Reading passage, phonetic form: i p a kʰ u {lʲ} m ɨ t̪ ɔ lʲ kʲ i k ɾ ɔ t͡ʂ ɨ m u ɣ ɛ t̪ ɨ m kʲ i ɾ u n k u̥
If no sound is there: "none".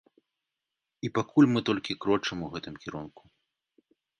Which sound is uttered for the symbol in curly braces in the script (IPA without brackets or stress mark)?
lʲ